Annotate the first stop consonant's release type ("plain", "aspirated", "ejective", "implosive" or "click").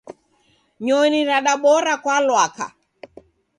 implosive